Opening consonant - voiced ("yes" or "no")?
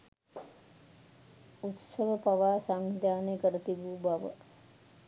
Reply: no